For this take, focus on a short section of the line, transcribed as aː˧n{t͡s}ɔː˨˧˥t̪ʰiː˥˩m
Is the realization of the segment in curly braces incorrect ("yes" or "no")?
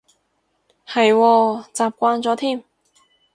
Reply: no